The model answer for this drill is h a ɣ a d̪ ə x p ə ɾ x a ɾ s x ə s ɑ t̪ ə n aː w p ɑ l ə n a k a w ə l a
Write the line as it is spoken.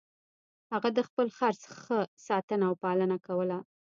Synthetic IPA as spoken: h a ɣ a d̪ ə x p ə l x a ɾ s x ə s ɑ t̪ ə n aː w p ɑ l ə n a k a w ə l a